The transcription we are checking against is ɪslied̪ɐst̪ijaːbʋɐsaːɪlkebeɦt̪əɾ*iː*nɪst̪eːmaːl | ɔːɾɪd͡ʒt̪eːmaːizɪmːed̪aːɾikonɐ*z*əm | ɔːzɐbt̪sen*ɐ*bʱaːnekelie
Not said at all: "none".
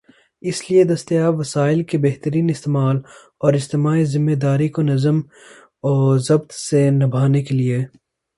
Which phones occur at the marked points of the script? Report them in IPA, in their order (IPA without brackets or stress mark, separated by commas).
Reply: iː, z, ɐ